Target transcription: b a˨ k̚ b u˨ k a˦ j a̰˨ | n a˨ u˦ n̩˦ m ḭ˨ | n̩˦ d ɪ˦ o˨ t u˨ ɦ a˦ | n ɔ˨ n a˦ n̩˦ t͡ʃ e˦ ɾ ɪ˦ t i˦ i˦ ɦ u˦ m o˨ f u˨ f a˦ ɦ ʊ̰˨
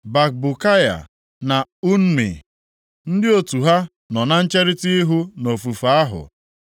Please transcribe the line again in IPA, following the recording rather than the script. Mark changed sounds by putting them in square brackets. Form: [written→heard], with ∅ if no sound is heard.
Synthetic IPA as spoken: b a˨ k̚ b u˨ k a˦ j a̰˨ | n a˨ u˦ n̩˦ m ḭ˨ | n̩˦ d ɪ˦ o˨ t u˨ ɦ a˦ | n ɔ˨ n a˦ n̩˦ t͡ʃ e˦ ɾ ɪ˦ t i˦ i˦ ɦ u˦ [m→n] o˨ f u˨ f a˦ ɦ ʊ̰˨